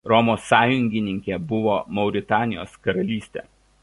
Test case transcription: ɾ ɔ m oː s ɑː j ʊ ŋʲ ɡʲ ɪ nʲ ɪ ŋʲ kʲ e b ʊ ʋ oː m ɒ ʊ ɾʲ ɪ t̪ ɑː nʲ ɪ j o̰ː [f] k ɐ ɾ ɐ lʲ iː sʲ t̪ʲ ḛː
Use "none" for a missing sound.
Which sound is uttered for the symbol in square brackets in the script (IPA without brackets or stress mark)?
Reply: s